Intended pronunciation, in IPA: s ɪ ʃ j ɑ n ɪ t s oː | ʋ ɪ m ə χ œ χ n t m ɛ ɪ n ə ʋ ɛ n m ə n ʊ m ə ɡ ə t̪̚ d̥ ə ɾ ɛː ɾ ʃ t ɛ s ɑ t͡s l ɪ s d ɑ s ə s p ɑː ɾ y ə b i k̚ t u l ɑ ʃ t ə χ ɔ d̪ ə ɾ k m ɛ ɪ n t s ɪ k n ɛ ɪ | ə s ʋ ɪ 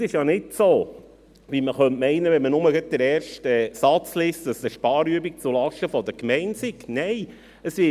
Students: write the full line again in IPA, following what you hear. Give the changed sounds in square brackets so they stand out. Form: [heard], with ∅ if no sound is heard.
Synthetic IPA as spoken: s ɪ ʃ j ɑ n ɪ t s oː | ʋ [i] m ə χ œ [∅] n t m ɛ ɪ n ə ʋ ɛ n m ə n ʊ m ə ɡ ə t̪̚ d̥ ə ɾ ɛː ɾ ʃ t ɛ s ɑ t͡s l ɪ s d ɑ s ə [ʃ] p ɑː ɾ y ə b i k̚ [t͡s] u l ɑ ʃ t ə [f] ɔ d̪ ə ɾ k m ɛ ɪ n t s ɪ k n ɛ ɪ | ə s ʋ ɪ